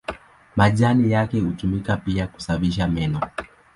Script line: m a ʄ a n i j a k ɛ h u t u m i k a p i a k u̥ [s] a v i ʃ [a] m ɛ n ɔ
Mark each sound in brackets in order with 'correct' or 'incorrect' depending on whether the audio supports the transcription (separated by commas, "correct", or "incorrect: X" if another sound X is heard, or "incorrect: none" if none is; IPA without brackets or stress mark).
correct, correct